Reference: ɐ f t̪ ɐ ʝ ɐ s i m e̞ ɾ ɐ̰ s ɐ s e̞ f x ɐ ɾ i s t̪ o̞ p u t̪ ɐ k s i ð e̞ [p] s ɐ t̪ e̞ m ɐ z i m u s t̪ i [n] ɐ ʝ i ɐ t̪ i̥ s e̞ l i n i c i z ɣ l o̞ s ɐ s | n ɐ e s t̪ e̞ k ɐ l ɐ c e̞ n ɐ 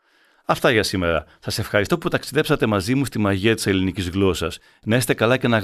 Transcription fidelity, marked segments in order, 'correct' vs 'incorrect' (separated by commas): correct, incorrect